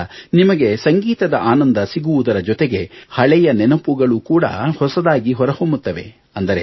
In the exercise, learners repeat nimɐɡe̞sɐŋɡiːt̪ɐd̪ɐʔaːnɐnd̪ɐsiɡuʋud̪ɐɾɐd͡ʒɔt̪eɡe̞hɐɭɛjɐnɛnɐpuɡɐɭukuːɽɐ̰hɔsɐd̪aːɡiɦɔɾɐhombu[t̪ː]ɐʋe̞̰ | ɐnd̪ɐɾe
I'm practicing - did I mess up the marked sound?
no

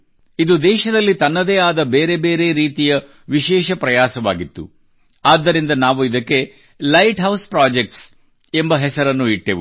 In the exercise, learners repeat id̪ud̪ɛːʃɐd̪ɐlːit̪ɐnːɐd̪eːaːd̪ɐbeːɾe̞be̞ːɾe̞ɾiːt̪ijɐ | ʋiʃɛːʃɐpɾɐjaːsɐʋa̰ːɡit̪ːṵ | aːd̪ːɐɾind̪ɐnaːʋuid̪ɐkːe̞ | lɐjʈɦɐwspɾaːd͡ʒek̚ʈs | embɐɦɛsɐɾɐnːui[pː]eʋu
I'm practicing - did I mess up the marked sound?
yes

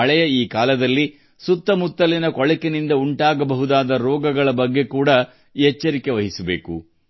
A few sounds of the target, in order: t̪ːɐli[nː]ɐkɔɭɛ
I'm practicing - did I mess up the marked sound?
yes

